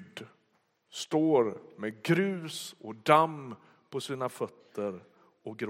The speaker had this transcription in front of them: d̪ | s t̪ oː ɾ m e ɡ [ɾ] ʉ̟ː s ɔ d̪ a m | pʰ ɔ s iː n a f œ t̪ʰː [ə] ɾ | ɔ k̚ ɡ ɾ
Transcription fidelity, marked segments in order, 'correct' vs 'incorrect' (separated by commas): correct, correct